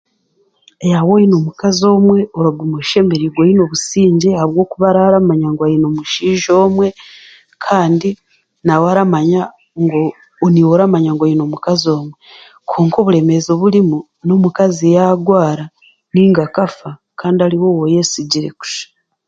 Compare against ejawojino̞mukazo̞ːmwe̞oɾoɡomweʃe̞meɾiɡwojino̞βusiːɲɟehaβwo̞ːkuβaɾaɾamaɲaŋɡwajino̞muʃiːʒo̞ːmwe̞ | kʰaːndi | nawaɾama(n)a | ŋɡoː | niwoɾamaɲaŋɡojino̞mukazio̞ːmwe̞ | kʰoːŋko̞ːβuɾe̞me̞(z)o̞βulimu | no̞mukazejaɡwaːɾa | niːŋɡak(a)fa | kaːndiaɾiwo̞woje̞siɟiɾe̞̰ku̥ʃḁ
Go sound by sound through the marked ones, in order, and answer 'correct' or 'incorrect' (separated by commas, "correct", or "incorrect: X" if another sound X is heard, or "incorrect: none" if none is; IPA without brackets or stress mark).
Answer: incorrect: ɲ, correct, correct